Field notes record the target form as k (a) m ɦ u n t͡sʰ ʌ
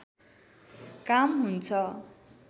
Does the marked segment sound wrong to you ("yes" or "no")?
no